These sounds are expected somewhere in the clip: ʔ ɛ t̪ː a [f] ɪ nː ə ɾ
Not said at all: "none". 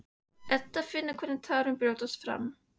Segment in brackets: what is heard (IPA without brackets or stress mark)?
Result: f